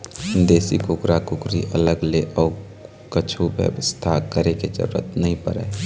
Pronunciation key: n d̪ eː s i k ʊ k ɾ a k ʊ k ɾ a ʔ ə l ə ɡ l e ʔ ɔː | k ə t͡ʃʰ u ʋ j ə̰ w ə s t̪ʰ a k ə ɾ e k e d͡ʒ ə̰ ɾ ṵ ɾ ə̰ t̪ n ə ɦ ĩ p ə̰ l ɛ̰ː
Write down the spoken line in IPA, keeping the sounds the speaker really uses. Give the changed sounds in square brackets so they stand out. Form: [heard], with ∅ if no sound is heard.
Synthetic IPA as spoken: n d̪ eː s i k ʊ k ɾ a k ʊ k ɾ [i] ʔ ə l ə ɡ l e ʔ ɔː | k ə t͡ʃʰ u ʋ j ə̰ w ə s t̪ʰ a k ə ɾ e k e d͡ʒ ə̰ ɾ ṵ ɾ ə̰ t̪ n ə ɦ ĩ p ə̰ [ɾ] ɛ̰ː